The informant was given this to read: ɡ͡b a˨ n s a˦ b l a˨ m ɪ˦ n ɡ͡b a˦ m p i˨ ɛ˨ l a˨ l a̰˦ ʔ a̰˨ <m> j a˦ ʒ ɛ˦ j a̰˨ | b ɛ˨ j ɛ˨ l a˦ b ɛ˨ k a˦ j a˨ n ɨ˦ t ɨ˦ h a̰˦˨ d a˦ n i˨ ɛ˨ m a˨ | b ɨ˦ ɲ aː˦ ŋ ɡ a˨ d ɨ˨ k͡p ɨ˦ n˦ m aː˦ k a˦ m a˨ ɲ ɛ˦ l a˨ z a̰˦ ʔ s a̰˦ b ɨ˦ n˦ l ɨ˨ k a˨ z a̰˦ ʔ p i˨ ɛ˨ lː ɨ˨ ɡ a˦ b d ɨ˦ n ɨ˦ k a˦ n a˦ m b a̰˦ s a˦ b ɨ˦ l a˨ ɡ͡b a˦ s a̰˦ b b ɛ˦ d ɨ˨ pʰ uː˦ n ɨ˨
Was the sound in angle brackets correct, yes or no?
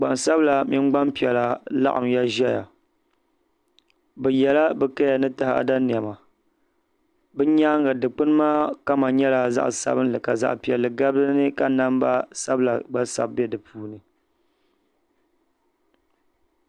yes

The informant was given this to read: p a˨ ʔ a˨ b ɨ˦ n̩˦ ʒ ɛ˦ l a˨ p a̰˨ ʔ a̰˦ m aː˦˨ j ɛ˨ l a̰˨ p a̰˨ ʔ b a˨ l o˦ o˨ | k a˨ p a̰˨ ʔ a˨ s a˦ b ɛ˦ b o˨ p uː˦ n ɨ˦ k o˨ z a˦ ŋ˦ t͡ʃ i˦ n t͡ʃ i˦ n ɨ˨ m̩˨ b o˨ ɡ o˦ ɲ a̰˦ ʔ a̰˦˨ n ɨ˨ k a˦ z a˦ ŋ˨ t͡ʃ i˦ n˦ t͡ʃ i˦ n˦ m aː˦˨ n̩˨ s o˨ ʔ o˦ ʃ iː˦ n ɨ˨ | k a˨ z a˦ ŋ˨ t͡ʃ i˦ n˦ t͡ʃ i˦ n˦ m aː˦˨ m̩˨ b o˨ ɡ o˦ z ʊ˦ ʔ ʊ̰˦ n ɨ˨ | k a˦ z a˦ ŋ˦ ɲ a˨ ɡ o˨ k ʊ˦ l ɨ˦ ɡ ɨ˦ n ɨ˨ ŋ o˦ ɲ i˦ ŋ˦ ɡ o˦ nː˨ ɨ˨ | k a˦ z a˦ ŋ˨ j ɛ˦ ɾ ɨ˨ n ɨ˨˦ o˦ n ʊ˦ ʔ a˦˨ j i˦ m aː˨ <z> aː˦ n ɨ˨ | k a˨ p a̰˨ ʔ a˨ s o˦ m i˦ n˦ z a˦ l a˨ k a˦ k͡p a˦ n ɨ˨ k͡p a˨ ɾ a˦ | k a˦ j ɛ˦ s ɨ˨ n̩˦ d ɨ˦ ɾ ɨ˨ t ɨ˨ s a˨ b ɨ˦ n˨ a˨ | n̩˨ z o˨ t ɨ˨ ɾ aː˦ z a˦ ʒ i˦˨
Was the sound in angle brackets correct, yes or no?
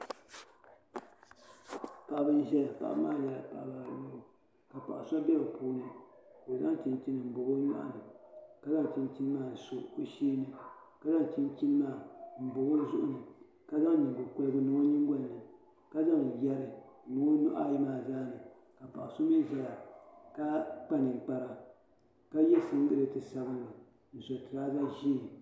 yes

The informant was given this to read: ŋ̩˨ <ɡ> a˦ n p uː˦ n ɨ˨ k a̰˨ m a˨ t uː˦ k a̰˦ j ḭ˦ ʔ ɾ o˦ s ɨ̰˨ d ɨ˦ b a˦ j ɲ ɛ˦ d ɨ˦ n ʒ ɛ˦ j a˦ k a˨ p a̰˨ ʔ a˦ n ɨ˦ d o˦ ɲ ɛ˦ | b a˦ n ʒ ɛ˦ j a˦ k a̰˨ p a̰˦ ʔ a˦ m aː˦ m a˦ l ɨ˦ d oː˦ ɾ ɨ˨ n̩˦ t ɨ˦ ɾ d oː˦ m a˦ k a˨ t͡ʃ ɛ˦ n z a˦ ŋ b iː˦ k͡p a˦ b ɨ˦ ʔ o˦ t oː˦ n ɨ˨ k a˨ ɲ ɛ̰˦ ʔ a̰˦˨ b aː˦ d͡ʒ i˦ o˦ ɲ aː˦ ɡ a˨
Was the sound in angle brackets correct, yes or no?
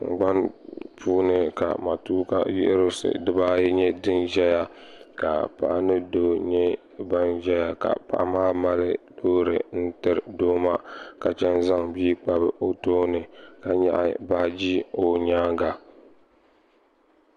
no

